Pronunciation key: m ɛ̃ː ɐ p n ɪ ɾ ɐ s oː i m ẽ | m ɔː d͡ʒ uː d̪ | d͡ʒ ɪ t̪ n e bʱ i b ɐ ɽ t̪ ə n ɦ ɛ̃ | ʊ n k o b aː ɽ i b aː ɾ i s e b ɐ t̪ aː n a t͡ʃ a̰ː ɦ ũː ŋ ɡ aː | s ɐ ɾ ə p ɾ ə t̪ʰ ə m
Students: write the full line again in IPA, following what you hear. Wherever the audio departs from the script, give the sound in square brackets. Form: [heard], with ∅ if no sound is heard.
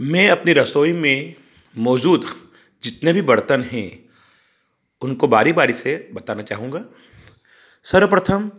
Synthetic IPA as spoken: m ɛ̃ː ɐ p n [i] ɾ ɐ s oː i m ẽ | m ɔː d͡ʒ uː d̪ | d͡ʒ ɪ t̪ n e bʱ i b ɐ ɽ t̪ ə n ɦ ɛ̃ | ʊ n k o b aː [ɾ] i b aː ɾ i s e b ɐ t̪ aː n a t͡ʃ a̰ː ɦ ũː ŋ ɡ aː | s ɐ ɾ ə p ɾ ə t̪ʰ ə m